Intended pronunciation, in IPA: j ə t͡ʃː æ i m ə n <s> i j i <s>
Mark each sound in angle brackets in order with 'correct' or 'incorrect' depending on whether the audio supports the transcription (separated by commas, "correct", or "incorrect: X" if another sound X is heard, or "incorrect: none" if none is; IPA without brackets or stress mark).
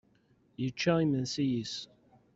correct, correct